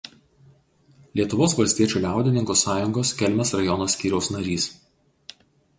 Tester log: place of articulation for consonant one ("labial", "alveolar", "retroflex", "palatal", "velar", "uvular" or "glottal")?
alveolar